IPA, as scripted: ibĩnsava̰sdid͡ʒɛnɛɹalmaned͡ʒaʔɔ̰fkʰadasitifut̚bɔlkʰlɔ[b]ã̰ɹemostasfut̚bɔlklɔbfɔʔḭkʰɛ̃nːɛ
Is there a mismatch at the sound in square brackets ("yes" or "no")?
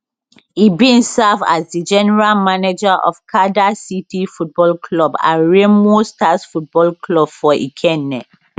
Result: no